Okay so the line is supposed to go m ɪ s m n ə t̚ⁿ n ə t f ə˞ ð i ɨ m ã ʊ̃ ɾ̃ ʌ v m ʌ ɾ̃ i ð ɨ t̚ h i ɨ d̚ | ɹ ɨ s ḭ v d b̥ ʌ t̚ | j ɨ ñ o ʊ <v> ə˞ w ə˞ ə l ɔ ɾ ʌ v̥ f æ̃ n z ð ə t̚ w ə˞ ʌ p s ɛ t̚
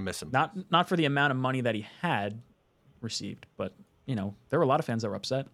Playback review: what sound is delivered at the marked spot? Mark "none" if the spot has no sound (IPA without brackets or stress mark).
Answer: ð